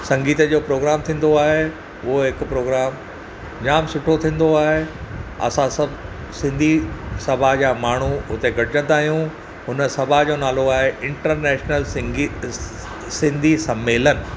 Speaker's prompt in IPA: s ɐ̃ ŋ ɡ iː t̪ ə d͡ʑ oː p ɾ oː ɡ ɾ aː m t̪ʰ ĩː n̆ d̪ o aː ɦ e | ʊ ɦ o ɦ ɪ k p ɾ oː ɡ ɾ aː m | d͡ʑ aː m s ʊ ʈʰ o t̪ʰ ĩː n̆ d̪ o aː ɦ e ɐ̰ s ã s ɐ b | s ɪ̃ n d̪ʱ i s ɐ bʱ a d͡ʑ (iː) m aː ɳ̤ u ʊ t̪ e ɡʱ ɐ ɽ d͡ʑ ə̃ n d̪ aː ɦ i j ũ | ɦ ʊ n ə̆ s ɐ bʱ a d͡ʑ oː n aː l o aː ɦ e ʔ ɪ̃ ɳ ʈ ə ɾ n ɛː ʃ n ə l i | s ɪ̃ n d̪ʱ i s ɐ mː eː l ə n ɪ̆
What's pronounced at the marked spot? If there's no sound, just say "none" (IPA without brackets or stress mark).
aː